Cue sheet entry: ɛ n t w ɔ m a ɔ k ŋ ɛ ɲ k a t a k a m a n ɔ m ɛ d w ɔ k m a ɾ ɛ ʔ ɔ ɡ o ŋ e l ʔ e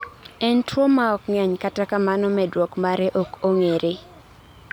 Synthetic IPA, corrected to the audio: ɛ n t w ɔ m a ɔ k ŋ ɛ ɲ k a t a k a m a n ɔ m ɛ d w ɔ k m a ɾ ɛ ʔ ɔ k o ŋ e ɾ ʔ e